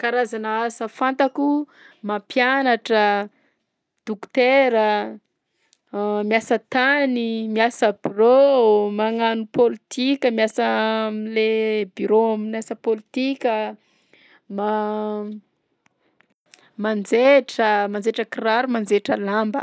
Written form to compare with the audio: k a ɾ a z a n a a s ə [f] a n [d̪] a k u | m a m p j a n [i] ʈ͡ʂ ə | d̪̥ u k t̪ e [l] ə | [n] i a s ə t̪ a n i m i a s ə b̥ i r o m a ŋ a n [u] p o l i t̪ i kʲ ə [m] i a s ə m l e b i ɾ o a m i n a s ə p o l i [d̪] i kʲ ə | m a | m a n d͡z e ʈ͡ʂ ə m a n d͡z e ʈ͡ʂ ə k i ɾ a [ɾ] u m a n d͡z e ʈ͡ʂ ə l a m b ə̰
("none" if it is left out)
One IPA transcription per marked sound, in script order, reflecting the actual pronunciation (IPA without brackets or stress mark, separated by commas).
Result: f, t̪, a, ɾ, m, u, m, t̪, ɾ